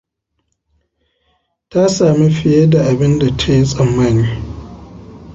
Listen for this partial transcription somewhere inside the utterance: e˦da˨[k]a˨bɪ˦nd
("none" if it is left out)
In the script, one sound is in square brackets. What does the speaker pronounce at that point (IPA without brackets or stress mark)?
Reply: ʔ